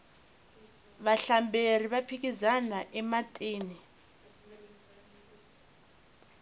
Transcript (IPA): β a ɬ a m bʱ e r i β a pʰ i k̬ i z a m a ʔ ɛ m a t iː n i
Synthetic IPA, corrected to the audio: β a ɬ a m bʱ e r i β a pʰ i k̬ i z a n a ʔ ɛ m a tʼ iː n i